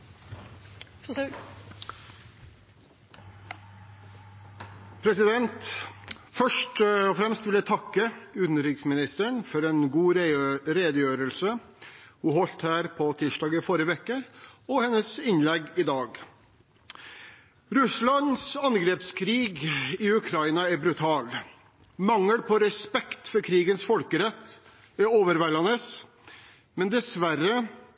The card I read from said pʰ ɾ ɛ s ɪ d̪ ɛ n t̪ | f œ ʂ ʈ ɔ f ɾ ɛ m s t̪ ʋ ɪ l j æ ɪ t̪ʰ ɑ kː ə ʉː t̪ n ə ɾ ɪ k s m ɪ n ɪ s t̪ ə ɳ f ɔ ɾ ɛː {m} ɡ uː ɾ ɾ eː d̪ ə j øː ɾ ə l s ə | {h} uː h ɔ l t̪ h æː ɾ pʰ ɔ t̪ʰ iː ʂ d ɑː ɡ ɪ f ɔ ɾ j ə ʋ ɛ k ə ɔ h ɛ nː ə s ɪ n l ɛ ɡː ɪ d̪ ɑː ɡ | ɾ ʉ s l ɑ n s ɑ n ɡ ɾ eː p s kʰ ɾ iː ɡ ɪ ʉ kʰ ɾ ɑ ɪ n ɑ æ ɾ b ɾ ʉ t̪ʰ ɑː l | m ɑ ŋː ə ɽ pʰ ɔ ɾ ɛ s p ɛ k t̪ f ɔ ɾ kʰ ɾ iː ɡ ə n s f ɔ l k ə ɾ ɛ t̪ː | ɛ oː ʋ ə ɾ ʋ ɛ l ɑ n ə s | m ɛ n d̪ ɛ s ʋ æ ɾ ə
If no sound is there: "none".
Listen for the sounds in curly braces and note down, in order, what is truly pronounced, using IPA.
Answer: n, h

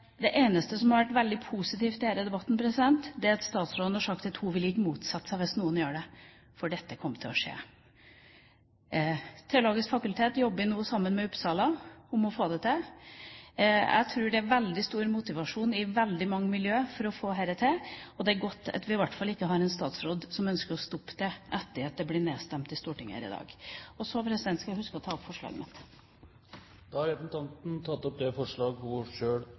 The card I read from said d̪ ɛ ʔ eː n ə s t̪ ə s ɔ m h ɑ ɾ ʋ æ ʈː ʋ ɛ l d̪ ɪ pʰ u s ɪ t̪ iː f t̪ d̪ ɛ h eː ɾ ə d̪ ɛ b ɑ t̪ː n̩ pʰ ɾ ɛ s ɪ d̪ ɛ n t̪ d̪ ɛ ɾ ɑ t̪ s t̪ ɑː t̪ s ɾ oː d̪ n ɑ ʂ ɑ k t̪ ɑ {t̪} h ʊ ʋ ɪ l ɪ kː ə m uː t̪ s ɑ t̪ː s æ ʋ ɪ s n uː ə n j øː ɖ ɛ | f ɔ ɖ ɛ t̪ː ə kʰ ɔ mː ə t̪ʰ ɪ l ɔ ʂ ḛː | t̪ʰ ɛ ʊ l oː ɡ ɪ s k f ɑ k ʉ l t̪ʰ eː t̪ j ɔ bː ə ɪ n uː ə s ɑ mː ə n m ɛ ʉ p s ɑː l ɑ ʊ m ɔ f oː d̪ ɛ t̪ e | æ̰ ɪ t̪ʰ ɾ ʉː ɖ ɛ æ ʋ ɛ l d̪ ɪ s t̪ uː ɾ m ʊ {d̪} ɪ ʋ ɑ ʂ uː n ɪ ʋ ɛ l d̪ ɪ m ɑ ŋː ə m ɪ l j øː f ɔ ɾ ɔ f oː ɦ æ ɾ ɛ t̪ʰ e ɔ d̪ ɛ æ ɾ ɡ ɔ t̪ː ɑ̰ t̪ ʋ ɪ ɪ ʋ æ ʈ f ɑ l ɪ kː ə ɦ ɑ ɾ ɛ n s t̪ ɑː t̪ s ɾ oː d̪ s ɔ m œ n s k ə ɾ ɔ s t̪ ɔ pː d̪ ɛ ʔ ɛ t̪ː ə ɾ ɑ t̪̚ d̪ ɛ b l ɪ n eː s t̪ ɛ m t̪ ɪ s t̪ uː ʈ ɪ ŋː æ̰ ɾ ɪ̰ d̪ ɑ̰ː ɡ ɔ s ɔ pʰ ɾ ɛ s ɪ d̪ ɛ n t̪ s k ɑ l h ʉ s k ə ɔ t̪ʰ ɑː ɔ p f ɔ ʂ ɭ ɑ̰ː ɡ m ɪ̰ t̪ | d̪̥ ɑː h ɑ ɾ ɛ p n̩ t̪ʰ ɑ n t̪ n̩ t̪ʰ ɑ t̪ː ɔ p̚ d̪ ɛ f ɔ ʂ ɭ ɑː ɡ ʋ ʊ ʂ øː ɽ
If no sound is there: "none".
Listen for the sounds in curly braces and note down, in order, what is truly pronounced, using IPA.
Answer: t̪, t̪

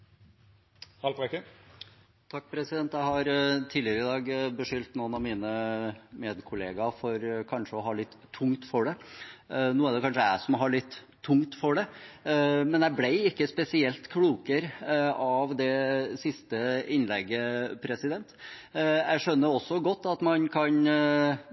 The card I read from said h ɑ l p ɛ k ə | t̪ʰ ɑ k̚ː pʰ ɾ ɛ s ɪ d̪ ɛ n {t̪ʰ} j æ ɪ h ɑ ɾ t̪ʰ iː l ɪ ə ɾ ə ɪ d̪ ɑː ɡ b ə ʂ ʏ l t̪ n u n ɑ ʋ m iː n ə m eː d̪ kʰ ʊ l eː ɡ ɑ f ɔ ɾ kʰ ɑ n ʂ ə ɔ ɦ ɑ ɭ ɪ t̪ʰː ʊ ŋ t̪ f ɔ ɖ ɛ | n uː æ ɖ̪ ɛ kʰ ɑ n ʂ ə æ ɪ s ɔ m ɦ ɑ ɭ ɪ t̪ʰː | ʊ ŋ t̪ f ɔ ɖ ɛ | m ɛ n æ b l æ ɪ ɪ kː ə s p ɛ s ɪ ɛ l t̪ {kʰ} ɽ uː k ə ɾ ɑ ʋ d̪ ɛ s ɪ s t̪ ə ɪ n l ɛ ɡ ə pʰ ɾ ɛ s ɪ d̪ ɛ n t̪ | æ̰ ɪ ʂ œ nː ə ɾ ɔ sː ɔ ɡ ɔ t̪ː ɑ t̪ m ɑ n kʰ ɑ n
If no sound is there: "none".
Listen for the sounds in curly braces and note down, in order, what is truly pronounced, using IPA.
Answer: t̪, kʰ

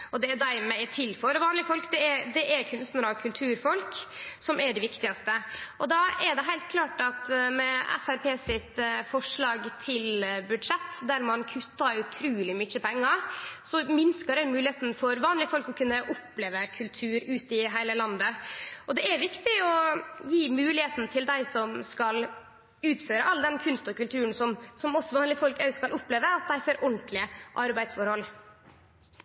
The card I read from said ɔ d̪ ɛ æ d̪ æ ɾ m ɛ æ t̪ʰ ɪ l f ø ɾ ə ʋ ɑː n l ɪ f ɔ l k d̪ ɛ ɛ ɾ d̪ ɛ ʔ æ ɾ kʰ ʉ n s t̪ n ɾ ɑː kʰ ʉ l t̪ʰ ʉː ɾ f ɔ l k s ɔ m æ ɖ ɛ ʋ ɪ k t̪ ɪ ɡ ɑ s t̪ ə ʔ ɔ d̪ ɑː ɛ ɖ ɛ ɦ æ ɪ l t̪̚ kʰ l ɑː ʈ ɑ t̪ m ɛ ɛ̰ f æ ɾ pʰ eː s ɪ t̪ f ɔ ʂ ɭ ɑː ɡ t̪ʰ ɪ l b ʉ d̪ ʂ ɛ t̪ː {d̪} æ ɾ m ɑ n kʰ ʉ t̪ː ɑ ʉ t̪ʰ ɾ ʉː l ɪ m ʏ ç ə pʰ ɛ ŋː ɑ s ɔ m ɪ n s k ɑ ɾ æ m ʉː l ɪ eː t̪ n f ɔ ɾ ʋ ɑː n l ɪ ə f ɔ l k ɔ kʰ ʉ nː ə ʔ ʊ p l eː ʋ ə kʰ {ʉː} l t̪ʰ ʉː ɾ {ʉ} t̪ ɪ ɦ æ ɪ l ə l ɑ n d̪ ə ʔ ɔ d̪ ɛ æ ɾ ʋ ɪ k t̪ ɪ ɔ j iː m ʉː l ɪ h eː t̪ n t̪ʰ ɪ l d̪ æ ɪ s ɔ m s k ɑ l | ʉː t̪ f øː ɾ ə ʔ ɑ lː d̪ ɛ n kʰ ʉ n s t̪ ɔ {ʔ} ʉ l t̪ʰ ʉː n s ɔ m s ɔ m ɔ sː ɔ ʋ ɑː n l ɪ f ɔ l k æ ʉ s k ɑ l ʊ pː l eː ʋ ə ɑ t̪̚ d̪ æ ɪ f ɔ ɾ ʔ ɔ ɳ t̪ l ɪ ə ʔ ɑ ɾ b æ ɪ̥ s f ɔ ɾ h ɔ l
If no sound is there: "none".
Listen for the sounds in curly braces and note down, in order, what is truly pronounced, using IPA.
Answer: d̪, ʉ, ʉː, k

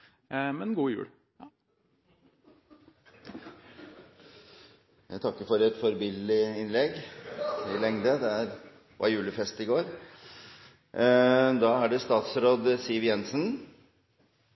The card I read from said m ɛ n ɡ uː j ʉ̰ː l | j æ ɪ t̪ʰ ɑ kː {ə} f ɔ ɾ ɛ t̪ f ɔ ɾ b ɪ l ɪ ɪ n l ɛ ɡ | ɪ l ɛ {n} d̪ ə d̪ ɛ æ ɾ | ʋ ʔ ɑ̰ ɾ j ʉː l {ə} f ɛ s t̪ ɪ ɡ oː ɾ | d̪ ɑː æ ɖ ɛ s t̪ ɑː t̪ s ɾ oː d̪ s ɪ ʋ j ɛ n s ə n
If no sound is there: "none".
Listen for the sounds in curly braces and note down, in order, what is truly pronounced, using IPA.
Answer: ə, ŋ, ə

